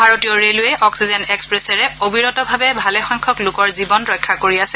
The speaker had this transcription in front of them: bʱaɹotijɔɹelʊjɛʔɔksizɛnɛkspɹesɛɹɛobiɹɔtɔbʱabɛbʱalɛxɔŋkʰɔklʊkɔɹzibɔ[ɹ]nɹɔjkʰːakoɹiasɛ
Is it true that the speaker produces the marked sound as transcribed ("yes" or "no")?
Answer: no